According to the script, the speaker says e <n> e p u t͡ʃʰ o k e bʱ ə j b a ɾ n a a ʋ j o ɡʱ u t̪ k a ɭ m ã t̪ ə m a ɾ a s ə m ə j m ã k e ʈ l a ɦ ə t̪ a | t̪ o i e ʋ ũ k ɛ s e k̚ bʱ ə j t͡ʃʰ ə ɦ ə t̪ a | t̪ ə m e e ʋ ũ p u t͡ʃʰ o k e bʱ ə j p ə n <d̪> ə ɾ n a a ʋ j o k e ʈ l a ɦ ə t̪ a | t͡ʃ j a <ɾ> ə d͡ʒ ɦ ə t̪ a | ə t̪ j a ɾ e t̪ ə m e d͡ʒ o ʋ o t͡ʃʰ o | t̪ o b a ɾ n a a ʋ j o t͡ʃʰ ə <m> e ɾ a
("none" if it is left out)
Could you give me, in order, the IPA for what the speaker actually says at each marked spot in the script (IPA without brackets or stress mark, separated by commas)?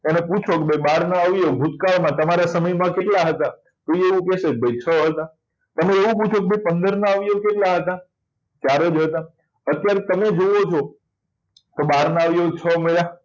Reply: n, d̪, ɾ, m